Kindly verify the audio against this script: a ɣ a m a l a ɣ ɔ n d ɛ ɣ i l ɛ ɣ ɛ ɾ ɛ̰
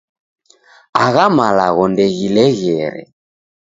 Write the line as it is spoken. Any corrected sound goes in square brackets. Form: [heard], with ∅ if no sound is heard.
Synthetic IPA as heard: a ɣ a m a l a ɣ ɔ n d ɛ ɣ i l ɛ ɣ ɛ ɾ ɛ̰